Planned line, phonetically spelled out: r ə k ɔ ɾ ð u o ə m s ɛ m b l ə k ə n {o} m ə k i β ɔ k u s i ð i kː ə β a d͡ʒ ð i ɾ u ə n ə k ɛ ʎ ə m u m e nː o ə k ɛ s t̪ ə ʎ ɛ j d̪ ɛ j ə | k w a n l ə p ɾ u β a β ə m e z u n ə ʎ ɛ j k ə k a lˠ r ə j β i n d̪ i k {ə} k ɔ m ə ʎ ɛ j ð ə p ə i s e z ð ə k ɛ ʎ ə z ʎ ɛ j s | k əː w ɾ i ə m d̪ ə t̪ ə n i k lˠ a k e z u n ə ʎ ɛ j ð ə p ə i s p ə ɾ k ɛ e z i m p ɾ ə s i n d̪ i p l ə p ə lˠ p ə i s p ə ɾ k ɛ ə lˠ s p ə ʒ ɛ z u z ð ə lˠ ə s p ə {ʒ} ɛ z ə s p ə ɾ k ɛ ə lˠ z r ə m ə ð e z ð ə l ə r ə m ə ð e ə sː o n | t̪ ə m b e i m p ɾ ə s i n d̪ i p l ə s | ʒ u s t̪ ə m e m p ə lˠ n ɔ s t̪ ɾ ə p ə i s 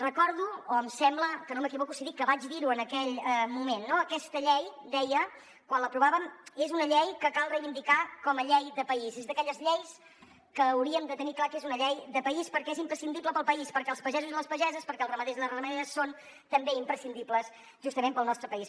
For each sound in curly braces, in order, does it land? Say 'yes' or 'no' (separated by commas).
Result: yes, no, yes